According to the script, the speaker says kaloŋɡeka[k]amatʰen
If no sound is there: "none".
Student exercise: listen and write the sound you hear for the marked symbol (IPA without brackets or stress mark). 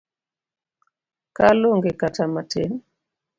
t